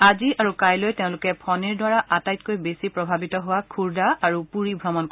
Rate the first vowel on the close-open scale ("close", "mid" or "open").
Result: open